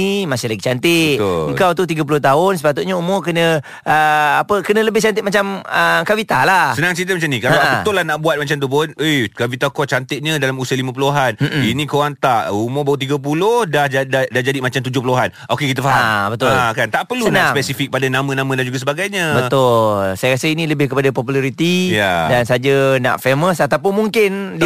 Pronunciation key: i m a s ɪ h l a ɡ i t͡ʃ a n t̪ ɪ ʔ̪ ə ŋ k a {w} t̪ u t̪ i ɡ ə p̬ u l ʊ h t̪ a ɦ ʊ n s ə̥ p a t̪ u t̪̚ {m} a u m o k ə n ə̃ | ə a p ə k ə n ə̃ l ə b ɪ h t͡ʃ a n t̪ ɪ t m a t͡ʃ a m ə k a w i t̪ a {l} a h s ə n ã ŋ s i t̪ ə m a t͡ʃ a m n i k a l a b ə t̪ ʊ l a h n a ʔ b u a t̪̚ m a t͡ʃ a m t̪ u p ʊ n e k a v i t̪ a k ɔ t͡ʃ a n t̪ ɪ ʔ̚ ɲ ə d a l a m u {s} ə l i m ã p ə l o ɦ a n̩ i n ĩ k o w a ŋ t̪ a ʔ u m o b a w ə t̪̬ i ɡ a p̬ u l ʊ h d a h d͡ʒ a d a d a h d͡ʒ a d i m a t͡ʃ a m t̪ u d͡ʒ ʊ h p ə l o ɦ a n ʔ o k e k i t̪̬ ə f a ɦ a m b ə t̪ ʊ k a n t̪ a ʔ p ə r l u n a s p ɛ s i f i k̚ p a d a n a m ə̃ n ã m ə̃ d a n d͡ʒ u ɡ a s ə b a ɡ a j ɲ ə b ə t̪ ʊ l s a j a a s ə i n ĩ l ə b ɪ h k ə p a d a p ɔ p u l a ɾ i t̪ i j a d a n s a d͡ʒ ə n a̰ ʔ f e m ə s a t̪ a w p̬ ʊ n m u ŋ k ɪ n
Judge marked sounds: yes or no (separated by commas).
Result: yes, no, yes, yes